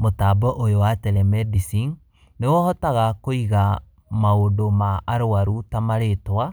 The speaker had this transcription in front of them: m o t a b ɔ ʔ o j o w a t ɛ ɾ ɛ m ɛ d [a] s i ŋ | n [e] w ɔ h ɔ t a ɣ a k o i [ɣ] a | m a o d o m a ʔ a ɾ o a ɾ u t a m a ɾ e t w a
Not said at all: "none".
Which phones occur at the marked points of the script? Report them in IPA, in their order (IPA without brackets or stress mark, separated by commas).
i, e, ɣ